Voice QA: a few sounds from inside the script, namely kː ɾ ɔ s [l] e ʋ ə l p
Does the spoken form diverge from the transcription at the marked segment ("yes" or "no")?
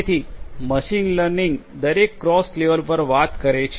no